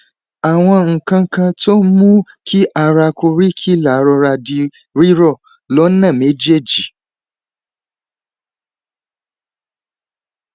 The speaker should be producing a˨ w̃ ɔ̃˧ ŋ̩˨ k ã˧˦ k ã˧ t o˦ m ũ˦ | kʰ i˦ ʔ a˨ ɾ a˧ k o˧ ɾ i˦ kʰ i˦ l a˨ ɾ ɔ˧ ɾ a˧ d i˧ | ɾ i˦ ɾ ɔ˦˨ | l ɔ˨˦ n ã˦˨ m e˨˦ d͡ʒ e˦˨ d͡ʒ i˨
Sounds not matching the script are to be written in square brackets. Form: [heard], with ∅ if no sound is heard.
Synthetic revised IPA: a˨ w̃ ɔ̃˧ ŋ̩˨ k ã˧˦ k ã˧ t o˦ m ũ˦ | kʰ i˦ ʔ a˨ ɾ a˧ k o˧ ɾ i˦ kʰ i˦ l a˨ ɾ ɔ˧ ɾ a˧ d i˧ | ɾ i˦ ɾ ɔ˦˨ | l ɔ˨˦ n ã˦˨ m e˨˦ d͡ʒ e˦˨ d͡ʒ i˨

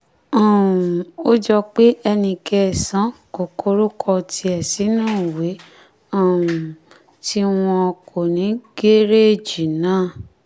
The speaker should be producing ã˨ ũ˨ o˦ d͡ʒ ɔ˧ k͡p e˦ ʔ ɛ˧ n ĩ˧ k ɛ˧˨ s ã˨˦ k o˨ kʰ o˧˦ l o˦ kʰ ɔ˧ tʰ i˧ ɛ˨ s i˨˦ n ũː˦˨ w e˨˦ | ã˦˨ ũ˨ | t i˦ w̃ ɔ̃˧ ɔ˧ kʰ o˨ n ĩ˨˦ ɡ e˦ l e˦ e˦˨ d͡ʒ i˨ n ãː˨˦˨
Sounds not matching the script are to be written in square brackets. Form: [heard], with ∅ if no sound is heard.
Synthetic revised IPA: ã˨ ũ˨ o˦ d͡ʒ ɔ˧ k͡p e˦ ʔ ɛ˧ n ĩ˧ k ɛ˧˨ s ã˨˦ k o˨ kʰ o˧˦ [ɾ] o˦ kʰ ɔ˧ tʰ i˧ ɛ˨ s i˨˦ n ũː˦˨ w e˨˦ | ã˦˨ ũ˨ | t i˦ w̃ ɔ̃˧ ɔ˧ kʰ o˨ n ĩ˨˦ ɡ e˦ [ɾ] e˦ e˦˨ d͡ʒ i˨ n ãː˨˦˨

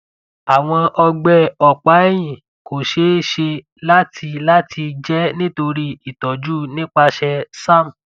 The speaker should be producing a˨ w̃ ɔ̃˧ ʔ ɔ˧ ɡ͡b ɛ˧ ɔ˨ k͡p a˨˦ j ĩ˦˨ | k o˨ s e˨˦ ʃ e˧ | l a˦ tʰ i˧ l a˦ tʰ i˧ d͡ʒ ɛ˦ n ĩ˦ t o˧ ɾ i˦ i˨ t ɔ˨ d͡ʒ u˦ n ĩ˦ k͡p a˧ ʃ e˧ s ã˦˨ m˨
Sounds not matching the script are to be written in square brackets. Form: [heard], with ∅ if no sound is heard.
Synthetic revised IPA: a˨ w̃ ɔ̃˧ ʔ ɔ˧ ɡ͡b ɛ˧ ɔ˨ k͡p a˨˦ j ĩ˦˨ | k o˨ [ʃ] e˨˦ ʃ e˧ | l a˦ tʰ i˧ l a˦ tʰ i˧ d͡ʒ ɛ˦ n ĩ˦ t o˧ ɾ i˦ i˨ t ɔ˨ d͡ʒ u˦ n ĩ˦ k͡p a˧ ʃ [ɛ˧] s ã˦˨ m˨

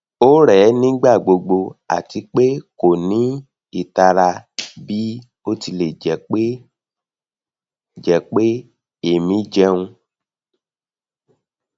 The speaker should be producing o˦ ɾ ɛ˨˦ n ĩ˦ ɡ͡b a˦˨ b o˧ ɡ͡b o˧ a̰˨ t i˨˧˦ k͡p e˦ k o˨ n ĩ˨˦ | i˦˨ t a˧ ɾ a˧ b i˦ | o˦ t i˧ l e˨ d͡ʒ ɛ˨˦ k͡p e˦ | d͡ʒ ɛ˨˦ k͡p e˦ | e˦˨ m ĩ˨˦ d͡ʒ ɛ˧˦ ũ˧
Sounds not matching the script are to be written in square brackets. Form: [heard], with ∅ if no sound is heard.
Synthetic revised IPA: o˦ ɾ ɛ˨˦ n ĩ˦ ɡ͡b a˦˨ [ɡ͡b] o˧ ɡ͡b o˧ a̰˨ t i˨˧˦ k͡p e˦ k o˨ n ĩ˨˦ | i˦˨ t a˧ ɾ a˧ b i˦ | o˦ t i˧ l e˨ d͡ʒ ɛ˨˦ k͡p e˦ | d͡ʒ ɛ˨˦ k͡p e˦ | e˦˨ m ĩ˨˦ d͡ʒ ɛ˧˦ ũ˧

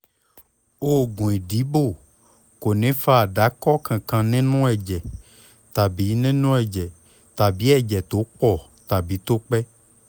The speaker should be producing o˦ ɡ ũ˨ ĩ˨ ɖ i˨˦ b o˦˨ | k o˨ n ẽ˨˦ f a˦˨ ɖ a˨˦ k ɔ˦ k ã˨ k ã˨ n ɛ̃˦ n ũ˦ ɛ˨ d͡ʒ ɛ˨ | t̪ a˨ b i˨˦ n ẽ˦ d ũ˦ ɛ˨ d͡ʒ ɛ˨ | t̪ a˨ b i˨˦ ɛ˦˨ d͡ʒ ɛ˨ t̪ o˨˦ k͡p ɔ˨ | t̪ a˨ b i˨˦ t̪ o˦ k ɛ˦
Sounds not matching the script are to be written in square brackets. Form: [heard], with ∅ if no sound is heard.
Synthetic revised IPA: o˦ ɡ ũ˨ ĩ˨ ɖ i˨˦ b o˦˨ | k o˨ n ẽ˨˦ f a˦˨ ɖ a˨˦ k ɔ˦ k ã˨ k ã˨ n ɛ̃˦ n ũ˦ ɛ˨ d͡ʒ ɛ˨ | t̪ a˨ b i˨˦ n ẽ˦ [n] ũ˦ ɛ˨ d͡ʒ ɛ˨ | t̪ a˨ b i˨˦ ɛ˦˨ d͡ʒ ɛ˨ t̪ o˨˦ k͡p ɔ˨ | t̪ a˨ b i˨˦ t̪ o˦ [k͡p] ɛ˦

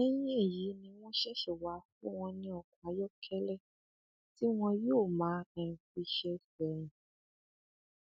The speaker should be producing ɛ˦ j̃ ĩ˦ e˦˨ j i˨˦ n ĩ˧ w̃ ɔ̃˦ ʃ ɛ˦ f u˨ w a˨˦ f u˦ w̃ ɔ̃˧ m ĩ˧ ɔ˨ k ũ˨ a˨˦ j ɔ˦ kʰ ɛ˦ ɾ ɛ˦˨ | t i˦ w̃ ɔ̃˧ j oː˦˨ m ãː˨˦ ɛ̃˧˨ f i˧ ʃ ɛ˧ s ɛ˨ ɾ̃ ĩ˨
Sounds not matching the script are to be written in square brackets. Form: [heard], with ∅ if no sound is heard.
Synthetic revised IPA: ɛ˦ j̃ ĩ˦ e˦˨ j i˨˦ n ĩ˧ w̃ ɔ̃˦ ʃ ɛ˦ [ʃ] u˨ w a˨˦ f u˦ w̃ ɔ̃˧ [n] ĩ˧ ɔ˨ k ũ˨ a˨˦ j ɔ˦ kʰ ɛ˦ [l] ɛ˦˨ | t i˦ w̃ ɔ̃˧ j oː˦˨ m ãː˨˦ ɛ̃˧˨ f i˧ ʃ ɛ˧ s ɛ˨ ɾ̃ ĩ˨

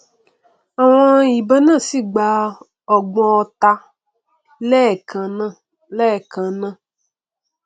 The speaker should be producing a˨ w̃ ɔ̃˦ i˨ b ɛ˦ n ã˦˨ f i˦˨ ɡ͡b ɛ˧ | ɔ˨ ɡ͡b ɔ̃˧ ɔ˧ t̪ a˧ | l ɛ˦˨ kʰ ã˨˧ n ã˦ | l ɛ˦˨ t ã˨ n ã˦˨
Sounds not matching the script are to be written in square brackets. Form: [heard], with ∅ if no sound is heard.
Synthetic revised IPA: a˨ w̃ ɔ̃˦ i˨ b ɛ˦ n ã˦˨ [s] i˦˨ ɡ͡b [a˧] | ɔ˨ ɡ͡b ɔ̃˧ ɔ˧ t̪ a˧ | l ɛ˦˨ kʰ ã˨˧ n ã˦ | l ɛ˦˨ [k] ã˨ n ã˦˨

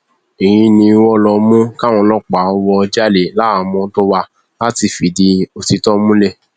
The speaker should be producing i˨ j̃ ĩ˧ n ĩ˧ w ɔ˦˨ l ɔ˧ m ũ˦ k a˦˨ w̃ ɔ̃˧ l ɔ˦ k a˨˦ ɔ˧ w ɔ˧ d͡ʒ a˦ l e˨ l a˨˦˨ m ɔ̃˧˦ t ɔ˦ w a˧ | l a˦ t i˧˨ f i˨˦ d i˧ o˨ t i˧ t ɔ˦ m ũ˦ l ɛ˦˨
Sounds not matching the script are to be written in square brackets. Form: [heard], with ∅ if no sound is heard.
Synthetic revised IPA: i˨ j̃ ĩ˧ n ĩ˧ w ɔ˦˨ l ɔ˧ m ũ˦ k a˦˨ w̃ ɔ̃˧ l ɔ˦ [k͡p] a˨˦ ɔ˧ w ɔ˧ d͡ʒ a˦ l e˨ l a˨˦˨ m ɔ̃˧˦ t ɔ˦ w a˧ | l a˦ t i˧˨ f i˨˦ d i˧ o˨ t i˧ t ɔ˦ m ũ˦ l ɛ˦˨

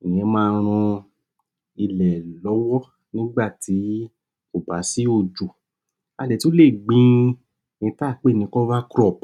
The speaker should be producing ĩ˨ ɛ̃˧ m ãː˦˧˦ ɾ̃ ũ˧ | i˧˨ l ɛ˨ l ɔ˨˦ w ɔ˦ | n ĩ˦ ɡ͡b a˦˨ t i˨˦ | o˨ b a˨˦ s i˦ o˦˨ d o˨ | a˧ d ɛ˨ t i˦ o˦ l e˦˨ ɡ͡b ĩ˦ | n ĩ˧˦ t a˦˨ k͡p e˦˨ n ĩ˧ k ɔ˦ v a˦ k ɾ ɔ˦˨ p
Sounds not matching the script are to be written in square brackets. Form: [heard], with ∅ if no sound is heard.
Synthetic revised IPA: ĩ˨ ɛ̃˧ m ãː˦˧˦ ɾ̃ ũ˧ | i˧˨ l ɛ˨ l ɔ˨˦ w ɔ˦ | n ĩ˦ ɡ͡b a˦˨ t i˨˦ | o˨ b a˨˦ s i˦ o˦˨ [d͡ʒ] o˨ | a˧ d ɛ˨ t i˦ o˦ l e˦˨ ɡ͡b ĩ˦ | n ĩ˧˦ t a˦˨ k͡p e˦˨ n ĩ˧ k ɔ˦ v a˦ k ɾ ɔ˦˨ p

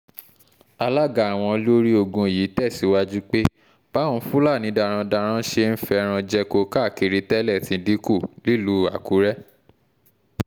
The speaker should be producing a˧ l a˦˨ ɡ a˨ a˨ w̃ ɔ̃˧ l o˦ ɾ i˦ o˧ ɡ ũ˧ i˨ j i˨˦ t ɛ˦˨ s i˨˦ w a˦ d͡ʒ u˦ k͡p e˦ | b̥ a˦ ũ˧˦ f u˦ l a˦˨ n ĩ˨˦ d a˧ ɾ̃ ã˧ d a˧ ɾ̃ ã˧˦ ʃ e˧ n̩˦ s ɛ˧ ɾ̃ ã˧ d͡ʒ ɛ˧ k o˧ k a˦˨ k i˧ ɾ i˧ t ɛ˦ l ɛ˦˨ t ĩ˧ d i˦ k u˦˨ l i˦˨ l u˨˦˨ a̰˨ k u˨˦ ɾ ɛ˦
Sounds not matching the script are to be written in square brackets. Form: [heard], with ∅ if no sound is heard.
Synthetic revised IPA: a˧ l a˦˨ ɡ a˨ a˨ w̃ ɔ̃˧ l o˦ ɾ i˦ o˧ ɡ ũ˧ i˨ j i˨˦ t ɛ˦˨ s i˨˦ w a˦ d͡ʒ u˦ k͡p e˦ | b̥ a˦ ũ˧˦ f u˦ l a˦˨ n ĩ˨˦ d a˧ ɾ̃ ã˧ d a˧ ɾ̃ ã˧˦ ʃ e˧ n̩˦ [f] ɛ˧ ɾ̃ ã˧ d͡ʒ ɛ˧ k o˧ k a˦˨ k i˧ ɾ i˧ t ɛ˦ l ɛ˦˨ t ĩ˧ d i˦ k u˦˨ l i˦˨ l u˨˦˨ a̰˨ k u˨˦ ɾ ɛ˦

